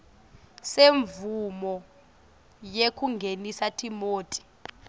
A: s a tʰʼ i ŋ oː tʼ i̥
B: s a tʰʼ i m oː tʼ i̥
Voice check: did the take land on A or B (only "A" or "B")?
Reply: B